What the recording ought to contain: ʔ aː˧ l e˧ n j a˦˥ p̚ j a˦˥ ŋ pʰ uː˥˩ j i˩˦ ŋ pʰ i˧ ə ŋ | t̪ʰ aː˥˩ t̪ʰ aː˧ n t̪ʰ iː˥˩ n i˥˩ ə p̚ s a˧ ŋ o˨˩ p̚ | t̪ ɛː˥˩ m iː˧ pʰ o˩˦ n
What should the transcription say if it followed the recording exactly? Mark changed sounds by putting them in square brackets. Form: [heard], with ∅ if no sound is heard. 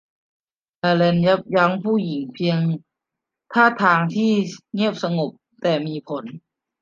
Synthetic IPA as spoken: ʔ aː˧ l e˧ n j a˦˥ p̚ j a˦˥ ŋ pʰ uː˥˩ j i˩˦ ŋ pʰ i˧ ə ŋ | t̪ʰ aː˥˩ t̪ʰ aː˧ [ŋ] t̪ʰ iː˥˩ [ŋ] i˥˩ ə p̚ s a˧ ŋ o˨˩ p̚ | t̪ [ɛː˨˩] m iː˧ pʰ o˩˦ n